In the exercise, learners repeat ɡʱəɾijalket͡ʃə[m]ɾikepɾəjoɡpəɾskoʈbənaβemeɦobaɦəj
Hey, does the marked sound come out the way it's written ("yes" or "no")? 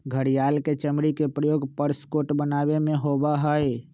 yes